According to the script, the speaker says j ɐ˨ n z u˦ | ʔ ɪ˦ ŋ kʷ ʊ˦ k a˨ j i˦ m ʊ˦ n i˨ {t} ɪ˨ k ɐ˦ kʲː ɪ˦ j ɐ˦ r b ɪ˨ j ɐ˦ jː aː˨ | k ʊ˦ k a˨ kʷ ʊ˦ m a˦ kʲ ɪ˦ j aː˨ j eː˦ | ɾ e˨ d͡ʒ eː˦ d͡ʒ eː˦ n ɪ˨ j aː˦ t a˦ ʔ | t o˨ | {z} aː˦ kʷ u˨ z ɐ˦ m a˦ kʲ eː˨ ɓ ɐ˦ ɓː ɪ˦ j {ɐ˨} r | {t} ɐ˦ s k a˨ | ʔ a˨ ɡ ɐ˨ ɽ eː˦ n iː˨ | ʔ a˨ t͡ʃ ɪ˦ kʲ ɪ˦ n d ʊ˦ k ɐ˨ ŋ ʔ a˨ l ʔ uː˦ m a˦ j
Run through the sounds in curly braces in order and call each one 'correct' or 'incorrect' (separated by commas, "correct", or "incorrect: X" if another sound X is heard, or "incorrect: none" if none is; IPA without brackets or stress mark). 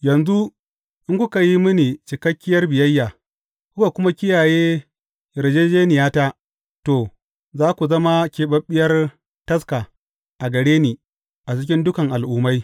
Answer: incorrect: t͡ʃ, correct, incorrect: ɐ˦, correct